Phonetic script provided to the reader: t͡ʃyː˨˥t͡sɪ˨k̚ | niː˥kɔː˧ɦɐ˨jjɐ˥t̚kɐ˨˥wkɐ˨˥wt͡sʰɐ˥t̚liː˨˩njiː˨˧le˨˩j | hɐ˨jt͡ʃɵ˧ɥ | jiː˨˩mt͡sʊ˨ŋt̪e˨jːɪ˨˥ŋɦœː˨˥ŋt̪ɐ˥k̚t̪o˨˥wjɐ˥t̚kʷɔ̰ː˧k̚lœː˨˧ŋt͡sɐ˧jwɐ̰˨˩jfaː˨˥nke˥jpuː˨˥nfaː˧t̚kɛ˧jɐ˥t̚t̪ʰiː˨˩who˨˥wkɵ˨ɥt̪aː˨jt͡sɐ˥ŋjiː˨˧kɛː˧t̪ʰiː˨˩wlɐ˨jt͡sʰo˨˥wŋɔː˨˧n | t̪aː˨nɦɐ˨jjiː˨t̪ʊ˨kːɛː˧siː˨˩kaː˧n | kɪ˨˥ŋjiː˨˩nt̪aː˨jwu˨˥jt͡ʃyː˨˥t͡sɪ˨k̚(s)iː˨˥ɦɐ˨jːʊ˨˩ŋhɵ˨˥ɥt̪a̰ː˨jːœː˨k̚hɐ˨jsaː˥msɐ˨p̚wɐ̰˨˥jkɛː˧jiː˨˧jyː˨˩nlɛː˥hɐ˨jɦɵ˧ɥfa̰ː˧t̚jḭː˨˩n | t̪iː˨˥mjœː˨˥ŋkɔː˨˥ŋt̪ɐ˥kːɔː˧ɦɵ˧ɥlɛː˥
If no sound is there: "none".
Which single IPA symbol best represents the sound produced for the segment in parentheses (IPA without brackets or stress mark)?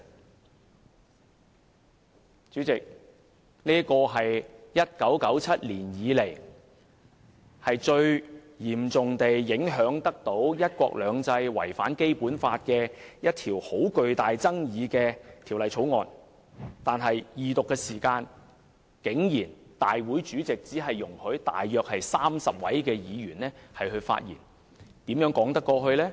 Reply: t͡s